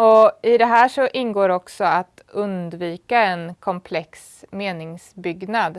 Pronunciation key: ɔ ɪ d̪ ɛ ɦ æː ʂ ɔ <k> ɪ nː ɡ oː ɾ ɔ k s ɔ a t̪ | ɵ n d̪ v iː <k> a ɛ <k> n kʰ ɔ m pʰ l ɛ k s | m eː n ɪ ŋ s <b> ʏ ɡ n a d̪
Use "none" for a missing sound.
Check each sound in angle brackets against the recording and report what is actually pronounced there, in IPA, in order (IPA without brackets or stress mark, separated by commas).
ʔ, k, none, b